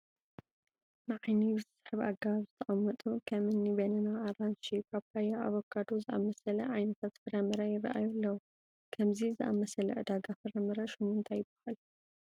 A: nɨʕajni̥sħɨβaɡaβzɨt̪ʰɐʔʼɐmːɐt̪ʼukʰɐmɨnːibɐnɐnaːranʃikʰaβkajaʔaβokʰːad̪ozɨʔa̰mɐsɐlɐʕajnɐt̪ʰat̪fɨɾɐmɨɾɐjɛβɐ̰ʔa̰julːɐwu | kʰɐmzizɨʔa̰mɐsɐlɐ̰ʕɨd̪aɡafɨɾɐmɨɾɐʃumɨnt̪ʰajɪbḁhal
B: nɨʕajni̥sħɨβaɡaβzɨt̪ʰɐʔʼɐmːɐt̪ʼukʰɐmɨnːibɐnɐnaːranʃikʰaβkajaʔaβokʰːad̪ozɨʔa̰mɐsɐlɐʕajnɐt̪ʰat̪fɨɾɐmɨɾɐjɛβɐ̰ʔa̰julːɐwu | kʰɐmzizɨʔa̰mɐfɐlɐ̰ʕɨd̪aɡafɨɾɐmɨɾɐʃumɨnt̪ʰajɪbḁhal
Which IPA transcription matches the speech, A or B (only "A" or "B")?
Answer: A